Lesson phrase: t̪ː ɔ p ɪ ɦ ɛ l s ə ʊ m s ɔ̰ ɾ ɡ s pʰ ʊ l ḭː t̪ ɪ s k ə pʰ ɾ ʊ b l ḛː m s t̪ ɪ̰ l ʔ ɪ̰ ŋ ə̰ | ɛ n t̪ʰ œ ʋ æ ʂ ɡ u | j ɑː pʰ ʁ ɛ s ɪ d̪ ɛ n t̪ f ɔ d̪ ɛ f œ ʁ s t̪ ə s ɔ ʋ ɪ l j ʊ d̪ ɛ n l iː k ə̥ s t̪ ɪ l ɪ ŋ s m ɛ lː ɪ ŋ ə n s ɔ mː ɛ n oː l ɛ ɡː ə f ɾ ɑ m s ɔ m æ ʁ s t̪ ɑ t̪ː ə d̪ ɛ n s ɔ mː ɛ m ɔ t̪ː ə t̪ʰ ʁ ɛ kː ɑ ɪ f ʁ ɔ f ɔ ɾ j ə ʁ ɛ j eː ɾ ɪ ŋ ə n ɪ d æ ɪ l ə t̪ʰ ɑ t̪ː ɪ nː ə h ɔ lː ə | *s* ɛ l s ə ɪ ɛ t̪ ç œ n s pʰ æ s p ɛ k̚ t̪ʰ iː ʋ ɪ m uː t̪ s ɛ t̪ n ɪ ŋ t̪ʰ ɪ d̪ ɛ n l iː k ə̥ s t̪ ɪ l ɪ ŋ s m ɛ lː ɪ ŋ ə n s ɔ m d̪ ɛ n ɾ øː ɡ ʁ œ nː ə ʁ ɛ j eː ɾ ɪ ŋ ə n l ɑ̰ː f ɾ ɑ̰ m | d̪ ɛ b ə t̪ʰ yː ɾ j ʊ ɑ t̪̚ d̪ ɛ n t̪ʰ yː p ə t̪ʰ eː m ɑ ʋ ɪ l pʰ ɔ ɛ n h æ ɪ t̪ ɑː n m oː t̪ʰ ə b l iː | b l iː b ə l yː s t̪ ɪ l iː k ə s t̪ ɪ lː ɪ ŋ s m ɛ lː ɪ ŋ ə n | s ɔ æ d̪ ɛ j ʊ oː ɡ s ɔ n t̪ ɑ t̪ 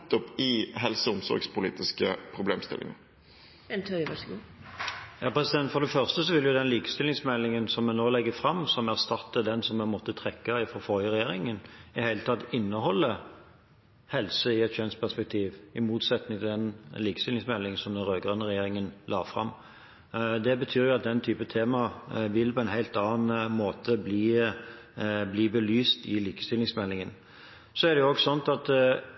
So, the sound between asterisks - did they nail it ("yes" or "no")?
no